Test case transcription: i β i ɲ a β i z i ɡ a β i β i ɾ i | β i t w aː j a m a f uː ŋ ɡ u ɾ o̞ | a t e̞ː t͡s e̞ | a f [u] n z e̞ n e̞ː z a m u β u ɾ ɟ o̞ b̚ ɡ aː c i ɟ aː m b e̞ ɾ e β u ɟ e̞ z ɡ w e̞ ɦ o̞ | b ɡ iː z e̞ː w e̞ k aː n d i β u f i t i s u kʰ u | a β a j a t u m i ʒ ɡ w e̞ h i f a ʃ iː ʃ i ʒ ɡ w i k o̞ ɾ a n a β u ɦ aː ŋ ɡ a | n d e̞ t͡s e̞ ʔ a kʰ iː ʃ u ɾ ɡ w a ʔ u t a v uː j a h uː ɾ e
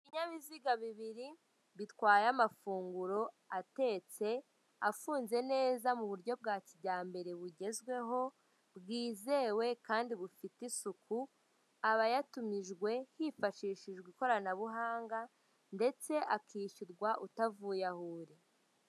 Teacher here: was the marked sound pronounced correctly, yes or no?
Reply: no